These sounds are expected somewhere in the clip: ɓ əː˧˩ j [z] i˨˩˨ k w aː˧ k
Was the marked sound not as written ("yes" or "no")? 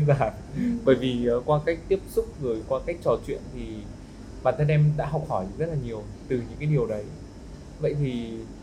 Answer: yes